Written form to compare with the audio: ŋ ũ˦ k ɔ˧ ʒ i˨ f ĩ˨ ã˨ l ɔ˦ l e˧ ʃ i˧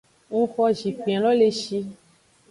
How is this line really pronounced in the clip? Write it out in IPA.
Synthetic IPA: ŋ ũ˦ x ɔ˧ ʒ i˨ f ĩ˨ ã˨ l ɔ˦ l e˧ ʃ i˧